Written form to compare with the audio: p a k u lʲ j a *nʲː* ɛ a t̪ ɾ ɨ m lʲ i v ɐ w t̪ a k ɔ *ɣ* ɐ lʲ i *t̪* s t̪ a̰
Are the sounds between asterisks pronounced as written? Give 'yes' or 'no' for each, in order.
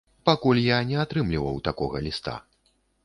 no, yes, no

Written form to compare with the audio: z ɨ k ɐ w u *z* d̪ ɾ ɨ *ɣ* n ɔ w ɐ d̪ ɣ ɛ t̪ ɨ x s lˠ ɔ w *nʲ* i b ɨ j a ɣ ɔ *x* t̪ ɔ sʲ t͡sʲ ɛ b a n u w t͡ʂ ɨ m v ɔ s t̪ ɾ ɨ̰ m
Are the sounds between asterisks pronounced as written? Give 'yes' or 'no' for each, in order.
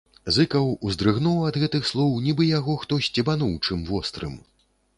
yes, yes, yes, yes

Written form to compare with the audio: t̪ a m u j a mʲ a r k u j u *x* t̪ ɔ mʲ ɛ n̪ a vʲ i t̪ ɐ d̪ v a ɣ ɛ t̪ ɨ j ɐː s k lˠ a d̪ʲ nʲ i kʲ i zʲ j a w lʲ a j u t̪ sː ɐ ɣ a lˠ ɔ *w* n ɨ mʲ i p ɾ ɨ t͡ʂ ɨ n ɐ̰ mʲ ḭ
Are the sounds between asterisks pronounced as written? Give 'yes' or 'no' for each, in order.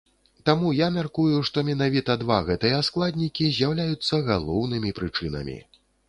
no, yes

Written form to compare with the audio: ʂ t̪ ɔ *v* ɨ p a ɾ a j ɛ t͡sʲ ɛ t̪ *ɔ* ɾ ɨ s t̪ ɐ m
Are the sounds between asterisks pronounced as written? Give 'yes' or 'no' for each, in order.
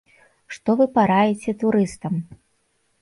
yes, no

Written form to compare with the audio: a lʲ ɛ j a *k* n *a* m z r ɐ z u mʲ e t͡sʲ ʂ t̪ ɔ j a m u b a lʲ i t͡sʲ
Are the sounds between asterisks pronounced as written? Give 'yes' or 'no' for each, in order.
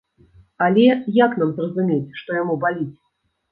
yes, yes

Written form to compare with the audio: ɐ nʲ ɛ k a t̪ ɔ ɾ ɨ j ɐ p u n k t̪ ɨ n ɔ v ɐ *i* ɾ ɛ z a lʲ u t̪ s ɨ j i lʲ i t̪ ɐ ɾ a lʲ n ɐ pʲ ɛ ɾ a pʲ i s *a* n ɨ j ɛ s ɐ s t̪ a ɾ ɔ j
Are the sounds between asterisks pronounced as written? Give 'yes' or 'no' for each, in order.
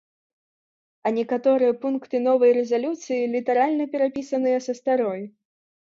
no, no

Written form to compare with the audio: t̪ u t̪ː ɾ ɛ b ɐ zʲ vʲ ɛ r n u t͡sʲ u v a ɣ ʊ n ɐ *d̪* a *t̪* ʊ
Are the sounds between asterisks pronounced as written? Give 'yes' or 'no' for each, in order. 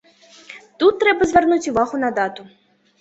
yes, yes

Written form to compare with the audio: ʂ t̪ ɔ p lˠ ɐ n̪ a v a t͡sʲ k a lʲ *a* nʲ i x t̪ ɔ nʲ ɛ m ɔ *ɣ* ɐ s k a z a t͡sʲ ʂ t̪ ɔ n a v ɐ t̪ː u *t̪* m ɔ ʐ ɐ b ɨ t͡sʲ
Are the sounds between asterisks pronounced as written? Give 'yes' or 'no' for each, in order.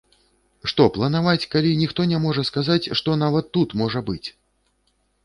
no, no, yes

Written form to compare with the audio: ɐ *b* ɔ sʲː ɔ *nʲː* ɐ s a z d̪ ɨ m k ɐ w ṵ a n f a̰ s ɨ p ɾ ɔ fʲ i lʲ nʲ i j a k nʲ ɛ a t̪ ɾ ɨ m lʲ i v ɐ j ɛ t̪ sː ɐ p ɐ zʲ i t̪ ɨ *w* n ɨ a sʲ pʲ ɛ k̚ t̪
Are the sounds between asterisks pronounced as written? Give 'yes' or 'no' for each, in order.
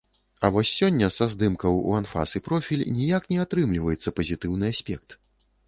no, yes, yes

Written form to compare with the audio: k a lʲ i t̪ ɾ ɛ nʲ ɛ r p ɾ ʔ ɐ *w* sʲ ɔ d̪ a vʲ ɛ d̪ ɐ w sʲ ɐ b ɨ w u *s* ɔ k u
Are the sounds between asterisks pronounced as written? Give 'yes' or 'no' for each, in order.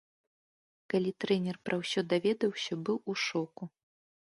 yes, no

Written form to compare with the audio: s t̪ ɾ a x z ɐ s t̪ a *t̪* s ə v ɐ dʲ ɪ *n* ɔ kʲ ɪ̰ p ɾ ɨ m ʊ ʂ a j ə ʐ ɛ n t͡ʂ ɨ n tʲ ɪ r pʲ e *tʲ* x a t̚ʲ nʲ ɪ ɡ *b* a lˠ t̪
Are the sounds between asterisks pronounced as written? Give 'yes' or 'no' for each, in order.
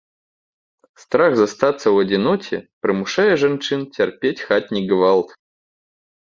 yes, yes, yes, no

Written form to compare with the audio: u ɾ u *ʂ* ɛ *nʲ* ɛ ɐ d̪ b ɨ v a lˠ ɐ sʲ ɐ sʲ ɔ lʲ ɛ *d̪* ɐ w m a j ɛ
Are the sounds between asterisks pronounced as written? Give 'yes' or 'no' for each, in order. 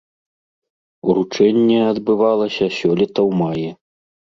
no, no, no

